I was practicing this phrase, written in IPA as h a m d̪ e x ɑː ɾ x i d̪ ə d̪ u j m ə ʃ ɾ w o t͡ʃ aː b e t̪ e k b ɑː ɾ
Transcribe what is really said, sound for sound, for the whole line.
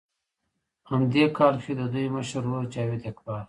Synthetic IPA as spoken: h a m d̪ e k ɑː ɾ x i d̪ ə d̪ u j m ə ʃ ɾ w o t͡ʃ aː w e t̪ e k b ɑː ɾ